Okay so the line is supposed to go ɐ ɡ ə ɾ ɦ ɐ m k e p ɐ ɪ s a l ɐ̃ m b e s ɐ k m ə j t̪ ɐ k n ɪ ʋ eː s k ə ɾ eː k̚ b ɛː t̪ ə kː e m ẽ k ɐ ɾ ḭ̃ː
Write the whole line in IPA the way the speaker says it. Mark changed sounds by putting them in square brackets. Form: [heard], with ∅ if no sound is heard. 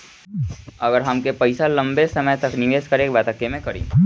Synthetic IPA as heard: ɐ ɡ ə ɾ ɦ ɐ m k e p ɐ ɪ s a l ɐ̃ m b e s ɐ [∅] m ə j t̪ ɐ k n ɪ ʋ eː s k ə ɾ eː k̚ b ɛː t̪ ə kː e m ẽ k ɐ ɾ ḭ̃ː

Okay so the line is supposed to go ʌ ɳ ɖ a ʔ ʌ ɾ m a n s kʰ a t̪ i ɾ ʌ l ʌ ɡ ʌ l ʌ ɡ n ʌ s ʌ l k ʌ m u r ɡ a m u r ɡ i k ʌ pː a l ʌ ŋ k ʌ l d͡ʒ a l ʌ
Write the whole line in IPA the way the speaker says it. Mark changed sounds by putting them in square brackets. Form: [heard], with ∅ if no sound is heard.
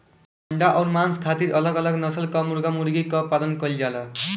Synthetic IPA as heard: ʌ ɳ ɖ a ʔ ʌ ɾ m a n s kʰ a t̪ i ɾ ʌ l ʌ ɡ ʌ l ʌ ɡ n ʌ s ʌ l k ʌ m u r ɡ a m u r ɡ i k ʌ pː a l ʌ [n] k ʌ l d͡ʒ a l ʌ

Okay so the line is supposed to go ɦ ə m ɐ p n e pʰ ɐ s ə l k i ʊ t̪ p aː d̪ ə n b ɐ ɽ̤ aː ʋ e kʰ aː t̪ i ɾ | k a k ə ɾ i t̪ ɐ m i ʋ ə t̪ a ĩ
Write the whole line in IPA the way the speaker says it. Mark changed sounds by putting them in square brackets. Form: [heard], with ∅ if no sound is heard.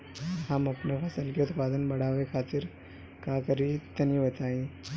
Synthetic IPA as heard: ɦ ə m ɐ p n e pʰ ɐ s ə l k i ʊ t̪ p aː d̪ ə n b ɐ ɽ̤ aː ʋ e kʰ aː t̪ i ɾ | k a k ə ɾ i t̪ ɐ [n] i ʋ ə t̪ a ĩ

